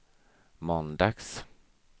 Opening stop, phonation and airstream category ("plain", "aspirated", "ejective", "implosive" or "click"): plain